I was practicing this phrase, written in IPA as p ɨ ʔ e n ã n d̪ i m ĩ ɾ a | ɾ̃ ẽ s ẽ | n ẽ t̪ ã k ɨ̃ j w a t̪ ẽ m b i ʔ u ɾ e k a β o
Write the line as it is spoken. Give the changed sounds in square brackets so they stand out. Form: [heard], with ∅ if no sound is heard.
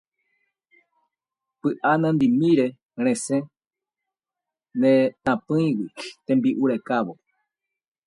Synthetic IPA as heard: p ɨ ʔ [a] n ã n d̪ i m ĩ ɾ [e] | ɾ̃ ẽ s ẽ | n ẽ t̪ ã [p] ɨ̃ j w [i] t̪ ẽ m b i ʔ u ɾ e k a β o

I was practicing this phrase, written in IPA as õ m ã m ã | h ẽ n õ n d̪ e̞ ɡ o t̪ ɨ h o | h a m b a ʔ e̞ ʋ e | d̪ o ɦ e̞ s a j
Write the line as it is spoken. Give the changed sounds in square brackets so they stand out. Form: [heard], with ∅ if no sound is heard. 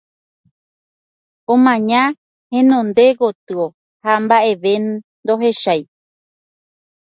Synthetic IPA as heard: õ m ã [ɲ] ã | h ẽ n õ n d̪ e̞ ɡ o t̪ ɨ [∅] o | h a m b a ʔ e̞ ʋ e | d̪ o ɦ e̞ [ʃ] a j

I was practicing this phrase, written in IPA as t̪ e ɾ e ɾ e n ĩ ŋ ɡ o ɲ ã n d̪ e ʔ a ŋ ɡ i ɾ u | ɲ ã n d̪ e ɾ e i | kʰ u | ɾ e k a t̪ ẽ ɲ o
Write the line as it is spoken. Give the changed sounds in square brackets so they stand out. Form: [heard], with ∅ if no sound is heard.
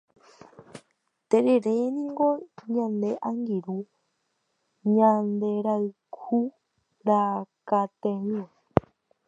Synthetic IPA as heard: t̪ e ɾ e ɾ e n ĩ ŋ ɡ o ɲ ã n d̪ e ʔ a ŋ ɡ i ɾ u | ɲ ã n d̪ e ɾ [a] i | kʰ u | ɾ [a] k a t̪ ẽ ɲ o

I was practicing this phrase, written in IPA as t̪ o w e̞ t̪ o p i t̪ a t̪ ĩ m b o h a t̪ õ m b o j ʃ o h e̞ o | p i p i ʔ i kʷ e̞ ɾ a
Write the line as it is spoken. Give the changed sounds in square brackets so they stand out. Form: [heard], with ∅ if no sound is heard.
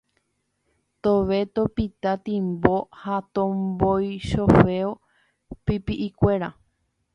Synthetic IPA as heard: t̪ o [ʋ] e̞ t̪ o p i t̪ a t̪ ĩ m b o h a t̪ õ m b o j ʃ o [f] e̞ o | p i p i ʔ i kʷ e̞ ɾ a

